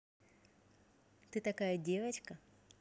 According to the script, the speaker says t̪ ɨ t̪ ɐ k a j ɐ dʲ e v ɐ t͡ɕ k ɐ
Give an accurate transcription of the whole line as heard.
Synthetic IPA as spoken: t̪ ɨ t̪ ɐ k a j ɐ dʲ e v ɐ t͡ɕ k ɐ